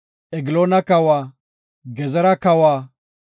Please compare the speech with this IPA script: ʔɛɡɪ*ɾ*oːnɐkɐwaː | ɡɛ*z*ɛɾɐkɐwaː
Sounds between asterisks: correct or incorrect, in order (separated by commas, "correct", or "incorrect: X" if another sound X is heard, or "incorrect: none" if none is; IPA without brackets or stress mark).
incorrect: l, correct